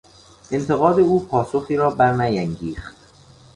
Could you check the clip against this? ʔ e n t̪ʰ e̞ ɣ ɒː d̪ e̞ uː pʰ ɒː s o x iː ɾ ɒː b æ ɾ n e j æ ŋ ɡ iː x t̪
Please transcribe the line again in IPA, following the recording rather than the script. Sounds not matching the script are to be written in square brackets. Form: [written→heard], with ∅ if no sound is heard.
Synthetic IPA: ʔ e n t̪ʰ e̞ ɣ ɒː d̪ e̞ uː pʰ ɒː s o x iː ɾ ɒː b æ ɾ n [e→æ] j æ ŋ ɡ iː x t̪